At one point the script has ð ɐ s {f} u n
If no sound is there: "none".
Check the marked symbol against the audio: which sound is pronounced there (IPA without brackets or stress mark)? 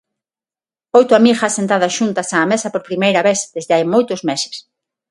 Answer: ʃ